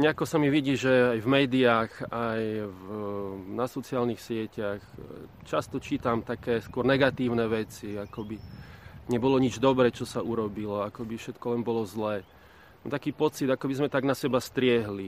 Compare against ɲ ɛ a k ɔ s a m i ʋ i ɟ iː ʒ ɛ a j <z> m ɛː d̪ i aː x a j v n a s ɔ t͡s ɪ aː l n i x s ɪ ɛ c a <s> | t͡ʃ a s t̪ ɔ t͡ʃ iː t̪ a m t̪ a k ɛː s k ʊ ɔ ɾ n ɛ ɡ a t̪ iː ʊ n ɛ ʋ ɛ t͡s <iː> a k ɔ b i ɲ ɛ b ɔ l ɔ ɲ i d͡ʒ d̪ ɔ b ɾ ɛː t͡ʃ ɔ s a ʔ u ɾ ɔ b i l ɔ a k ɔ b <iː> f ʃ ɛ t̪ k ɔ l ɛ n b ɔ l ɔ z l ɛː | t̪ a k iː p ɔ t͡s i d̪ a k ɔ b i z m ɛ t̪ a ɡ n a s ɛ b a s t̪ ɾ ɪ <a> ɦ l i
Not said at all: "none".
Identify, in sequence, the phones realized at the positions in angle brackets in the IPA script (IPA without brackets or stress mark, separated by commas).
v, x, i, i, ɛ